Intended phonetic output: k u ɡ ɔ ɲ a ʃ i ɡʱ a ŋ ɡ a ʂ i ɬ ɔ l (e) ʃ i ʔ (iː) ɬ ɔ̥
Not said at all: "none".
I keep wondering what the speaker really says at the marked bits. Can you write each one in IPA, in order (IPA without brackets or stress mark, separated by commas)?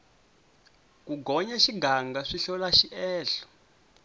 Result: a, ɛː